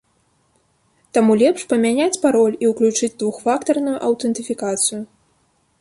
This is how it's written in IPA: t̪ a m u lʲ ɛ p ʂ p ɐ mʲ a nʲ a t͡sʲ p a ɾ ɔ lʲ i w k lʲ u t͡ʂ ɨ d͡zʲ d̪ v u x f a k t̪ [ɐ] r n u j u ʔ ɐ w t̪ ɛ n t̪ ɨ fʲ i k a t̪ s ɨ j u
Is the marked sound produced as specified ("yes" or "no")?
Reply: yes